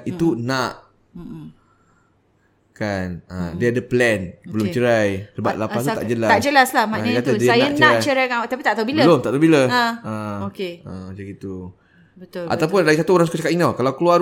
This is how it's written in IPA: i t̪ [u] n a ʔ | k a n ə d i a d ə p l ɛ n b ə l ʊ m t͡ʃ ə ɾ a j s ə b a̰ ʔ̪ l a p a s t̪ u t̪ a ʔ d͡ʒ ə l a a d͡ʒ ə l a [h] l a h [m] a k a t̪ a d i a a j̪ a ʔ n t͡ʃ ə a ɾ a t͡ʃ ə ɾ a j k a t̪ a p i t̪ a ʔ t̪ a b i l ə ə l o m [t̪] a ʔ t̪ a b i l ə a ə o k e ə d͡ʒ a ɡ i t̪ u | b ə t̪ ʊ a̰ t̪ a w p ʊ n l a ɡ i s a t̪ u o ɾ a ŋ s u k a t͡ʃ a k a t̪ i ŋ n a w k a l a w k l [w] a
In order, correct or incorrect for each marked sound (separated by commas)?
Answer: correct, incorrect, correct, correct, incorrect